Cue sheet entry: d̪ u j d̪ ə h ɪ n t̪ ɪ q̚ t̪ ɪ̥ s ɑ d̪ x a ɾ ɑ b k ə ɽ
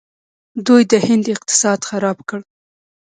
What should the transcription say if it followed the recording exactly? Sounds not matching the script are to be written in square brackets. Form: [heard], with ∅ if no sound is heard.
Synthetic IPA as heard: d̪ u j d̪ ə h ɪ n [d̪] ɪ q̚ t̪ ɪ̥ s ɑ d̪ x a ɾ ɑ b k ə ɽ

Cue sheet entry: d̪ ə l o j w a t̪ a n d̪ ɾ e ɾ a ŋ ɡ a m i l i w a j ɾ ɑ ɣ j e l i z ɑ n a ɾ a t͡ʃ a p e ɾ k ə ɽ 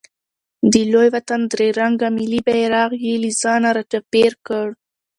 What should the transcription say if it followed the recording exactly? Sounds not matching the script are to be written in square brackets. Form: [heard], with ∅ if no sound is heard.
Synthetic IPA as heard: d̪ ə l o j w a t̪ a n d̪ ɾ e ɾ a ŋ ɡ a m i l i [b] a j ɾ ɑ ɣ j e l i z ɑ n a ɾ a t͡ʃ a p e ɾ k ə ɽ

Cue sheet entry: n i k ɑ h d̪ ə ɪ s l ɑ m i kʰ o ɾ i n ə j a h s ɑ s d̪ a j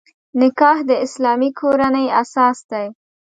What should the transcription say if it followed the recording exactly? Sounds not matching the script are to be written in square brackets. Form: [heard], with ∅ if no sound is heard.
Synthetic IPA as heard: n [ɪ] k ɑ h d̪ ə ɪ s l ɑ m i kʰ o ɾ [a] n ə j a [∅] s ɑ s d̪ a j

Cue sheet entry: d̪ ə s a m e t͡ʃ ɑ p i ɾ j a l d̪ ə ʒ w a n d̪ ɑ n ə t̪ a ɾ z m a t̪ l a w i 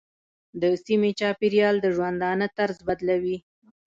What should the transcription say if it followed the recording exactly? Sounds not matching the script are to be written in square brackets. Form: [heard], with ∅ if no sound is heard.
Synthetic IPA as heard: d̪ ə s [i] m e t͡ʃ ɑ p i ɾ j [ɑ] l d̪ ə ʒ w a n d̪ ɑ n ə t̪ a ɾ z [b] a [d̪] l a w i

